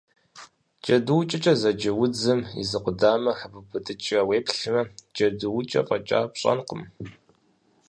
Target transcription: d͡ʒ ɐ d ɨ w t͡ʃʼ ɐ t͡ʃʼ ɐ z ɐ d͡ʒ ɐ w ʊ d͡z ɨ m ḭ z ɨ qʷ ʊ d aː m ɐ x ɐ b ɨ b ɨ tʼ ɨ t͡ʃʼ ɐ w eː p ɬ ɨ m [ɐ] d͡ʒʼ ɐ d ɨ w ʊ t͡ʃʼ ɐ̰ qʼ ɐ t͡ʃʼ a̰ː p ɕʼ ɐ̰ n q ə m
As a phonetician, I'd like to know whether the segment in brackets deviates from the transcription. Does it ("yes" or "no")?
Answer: no